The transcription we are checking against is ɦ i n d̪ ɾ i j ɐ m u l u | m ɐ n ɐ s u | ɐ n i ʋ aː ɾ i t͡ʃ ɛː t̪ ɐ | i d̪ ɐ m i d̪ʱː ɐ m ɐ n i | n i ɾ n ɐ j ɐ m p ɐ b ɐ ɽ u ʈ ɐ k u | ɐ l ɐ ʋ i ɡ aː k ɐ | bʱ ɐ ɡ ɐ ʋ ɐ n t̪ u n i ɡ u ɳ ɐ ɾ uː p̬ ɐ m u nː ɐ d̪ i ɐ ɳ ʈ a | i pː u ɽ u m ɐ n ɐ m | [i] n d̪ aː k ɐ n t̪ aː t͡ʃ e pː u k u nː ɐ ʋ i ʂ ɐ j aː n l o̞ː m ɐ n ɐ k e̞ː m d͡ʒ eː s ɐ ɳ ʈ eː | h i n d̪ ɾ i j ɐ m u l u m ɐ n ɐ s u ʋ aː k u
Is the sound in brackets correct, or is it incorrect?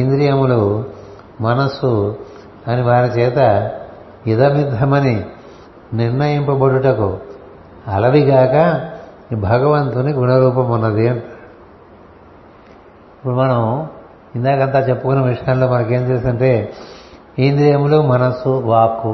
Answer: correct